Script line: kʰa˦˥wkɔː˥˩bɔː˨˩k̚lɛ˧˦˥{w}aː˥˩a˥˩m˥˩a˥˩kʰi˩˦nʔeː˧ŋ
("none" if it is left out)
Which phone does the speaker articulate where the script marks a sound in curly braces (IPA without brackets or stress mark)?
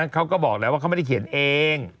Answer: w